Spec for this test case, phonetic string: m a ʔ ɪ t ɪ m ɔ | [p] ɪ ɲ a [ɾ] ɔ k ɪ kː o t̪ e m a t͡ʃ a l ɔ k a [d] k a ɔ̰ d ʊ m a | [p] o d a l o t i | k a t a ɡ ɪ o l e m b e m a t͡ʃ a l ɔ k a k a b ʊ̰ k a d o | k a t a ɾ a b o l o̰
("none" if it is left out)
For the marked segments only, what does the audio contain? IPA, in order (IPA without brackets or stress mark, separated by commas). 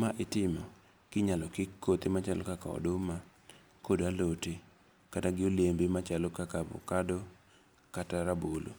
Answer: k, l, none, k